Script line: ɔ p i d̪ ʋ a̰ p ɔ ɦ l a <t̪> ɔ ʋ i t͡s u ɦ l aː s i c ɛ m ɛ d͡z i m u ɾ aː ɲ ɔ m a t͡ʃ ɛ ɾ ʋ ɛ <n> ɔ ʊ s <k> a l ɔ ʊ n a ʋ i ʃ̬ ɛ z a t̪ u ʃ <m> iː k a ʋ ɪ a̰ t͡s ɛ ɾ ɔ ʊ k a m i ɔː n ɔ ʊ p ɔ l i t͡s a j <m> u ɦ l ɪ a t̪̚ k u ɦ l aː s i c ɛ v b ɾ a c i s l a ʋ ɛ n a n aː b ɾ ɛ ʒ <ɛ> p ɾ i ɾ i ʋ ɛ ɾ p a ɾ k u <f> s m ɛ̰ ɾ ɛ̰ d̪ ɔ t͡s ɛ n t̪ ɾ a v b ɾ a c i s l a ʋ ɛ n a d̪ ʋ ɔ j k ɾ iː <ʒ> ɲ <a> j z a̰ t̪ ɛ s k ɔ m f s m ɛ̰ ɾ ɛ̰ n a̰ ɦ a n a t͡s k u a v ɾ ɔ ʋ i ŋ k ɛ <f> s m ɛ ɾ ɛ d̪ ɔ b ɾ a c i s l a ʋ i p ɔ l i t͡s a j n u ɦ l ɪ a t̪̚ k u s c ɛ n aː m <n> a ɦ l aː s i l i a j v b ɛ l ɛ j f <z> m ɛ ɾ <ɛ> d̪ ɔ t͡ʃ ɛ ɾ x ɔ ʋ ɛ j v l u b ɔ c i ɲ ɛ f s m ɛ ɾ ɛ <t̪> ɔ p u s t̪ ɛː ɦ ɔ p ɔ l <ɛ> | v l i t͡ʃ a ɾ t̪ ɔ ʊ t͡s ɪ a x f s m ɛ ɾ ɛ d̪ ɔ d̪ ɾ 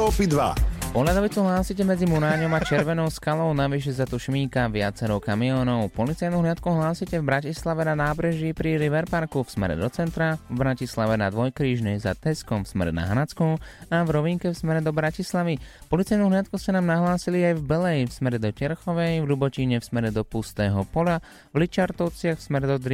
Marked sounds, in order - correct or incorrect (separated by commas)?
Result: incorrect, correct, correct, correct, incorrect, incorrect, correct, correct, incorrect, correct, correct, incorrect, correct, incorrect, incorrect